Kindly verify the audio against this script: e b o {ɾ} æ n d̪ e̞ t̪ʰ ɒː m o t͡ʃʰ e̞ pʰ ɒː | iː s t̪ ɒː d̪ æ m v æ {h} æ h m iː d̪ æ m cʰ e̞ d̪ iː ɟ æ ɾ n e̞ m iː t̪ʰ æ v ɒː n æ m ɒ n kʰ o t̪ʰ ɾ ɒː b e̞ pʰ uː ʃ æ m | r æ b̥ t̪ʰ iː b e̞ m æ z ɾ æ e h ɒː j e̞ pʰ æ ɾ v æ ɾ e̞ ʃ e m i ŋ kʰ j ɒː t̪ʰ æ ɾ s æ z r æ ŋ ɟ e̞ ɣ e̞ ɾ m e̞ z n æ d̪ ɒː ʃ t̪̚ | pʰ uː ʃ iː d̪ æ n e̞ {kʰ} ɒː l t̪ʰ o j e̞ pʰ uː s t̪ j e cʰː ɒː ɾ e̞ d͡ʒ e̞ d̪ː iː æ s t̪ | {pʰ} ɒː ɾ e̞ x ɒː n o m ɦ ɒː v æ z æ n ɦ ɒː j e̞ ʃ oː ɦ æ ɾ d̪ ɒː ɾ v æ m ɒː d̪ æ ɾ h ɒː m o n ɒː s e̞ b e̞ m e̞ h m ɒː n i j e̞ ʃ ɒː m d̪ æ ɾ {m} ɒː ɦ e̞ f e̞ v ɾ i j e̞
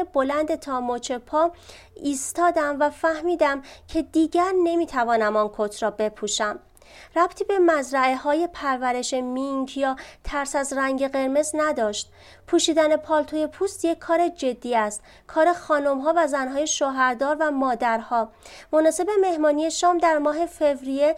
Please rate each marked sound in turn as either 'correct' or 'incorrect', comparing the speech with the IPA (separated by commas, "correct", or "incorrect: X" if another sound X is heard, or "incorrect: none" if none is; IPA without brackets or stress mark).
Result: incorrect: l, incorrect: f, incorrect: pʰ, incorrect: kʰ, correct